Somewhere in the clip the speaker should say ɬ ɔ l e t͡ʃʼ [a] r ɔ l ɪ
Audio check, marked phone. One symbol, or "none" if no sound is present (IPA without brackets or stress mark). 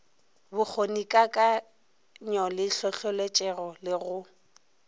ɛ